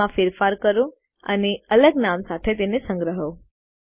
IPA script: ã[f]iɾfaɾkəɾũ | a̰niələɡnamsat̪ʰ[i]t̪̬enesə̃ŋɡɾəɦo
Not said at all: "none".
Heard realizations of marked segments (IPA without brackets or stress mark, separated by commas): f, e